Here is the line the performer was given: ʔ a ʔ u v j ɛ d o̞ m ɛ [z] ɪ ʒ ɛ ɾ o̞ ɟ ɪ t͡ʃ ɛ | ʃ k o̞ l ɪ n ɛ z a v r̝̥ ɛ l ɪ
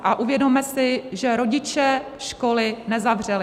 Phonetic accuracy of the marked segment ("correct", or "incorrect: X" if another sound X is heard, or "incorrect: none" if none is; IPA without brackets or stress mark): incorrect: s